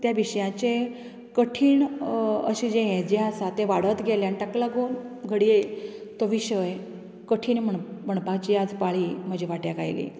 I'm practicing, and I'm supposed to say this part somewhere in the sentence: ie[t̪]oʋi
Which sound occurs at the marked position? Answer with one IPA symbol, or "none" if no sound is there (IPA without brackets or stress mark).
t̪